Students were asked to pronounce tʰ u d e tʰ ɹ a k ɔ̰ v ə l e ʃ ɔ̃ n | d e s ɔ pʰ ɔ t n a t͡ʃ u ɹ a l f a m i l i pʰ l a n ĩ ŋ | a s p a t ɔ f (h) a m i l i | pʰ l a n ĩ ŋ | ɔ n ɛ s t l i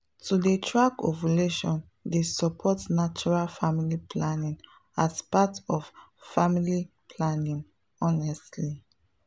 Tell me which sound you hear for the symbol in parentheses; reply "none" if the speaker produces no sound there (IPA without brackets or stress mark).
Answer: f